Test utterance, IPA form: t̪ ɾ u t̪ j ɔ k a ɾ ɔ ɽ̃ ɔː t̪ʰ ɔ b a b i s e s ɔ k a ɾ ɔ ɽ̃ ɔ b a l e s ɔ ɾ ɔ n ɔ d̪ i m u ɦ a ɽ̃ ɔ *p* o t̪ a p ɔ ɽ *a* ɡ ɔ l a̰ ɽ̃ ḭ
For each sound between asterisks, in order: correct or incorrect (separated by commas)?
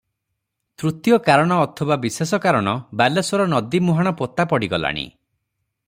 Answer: correct, incorrect